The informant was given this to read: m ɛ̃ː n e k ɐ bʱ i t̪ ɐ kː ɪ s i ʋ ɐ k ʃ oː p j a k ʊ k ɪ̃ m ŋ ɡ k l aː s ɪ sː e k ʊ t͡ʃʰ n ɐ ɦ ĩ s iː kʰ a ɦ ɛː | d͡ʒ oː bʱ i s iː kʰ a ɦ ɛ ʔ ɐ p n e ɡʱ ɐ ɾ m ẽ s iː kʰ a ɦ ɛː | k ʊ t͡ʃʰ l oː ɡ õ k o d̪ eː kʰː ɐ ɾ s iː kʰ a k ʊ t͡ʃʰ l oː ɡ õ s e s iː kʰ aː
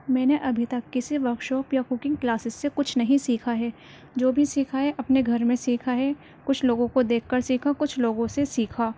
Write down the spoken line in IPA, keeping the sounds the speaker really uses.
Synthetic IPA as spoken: m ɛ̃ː n e ʔ ɐ bʱ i t̪ ɐ kː ɪ s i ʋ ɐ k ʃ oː p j a k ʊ k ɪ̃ ŋ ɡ k l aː s ɪ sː e k ʊ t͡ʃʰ n ɐ ɦ ĩ s iː kʰ a ɦ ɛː | d͡ʒ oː bʱ i s iː kʰ a ɦ ɛ ʔ ɐ p n e ɡʱ ɐ ɾ m ẽ s iː kʰ a ɦ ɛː | k ʊ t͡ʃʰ l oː ɡ õ k o d̪ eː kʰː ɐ ɾ s iː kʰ a k ʊ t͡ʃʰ l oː ɡ õ s e s iː kʰ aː

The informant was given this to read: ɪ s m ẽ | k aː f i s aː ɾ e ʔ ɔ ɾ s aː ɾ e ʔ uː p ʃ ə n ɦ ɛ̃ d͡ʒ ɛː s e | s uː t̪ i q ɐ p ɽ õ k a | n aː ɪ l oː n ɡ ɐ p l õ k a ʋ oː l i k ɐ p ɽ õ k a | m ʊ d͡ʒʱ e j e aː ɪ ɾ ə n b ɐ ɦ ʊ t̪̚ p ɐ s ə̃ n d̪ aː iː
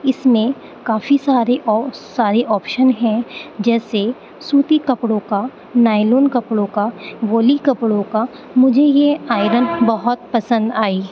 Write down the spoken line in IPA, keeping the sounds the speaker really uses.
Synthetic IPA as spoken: ɪ s m ẽ | k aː f i s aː ɾ e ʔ ɔ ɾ s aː ɾ e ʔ ɔː p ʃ ə n ɦ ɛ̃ d͡ʒ ɛː s e | s uː t̪ i k ɐ p ɽ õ k a | n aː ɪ l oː n k ɐ p ɽ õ k a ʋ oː l i k ɐ p ɽ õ k a | m ʊ d͡ʒʱ e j e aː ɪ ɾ ə n b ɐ ɦ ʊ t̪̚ p ɐ s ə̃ n d̪ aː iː

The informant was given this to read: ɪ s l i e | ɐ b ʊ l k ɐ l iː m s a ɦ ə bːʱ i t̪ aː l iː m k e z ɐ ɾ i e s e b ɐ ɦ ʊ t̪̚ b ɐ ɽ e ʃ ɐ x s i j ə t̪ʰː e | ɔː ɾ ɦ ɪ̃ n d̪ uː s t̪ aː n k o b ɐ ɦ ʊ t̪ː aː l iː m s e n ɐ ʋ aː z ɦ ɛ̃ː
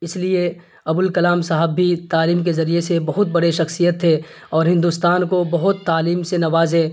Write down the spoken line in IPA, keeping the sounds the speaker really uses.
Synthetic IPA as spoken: ɪ s l i e | ɐ b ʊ l k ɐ l aː m s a ɦ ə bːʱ i t̪ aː l iː m k e z ɐ ɾ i e s e b ɐ ɦ ʊ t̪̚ b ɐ ɽ e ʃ ɐ x s i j ə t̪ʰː e | ɔː ɾ ɦ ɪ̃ n d̪ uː s t̪ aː n k o b ɐ ɦ ʊ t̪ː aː l iː m s e n ɐ ʋ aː z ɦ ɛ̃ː

